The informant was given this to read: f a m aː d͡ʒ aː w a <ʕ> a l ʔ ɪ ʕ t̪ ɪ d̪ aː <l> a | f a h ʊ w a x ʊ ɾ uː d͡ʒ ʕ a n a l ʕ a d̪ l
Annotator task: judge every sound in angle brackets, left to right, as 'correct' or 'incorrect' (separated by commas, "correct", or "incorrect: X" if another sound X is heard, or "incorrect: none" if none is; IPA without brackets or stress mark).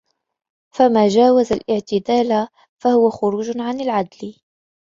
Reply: incorrect: z, correct